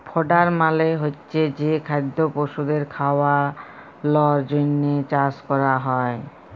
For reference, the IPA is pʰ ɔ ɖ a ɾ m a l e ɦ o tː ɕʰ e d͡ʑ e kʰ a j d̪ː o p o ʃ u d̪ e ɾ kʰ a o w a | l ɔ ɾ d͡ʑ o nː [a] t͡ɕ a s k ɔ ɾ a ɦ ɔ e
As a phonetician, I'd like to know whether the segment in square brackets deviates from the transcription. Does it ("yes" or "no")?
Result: yes